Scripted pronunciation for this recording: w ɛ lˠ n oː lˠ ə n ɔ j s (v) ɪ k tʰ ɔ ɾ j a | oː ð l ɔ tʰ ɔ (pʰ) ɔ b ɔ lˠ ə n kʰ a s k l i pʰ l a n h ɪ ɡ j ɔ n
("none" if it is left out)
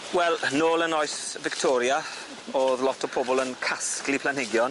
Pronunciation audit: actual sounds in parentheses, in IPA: v, pʰ

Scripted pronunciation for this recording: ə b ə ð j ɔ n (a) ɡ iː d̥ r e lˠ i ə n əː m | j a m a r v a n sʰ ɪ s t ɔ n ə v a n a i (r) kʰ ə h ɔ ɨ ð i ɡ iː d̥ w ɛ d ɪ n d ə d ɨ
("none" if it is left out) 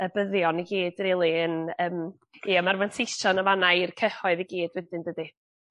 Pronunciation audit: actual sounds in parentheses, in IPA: i, r

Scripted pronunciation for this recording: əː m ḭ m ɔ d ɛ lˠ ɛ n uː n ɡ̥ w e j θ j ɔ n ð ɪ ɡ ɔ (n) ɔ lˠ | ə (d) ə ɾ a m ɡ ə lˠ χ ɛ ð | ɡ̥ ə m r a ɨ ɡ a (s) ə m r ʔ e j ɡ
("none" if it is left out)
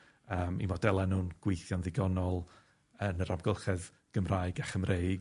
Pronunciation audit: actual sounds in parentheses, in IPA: n, n, χ

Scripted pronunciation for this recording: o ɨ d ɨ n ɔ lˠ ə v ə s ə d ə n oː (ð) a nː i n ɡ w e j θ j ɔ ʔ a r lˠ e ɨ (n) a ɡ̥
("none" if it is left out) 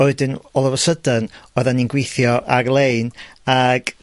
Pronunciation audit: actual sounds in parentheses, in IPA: ð, n

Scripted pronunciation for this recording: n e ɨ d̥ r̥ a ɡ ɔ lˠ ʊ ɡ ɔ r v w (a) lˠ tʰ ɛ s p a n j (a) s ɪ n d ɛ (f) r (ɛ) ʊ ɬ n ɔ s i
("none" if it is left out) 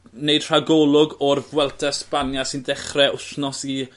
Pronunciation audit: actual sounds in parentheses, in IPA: ɛ, a, χ, ɛ

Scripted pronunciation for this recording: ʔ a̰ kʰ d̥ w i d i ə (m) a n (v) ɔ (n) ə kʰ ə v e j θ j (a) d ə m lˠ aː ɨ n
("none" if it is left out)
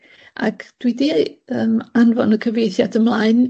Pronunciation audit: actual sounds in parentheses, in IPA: m, v, n, a

